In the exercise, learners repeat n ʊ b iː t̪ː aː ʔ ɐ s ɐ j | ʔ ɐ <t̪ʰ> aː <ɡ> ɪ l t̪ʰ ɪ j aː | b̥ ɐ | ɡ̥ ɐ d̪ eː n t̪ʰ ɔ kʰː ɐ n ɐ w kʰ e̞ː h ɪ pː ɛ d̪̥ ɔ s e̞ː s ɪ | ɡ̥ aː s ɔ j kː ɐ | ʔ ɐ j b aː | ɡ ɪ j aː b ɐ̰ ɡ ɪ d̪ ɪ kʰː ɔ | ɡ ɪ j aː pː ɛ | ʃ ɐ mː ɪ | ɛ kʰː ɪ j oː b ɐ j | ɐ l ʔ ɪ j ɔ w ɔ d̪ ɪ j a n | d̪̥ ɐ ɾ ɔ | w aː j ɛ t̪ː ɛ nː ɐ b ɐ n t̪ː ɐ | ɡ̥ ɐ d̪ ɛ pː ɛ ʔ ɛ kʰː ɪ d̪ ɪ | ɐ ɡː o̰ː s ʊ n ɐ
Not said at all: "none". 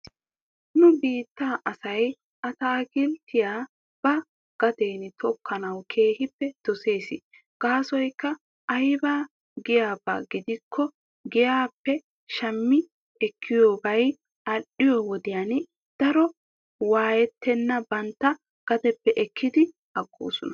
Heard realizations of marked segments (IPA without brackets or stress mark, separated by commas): t̪, ɡ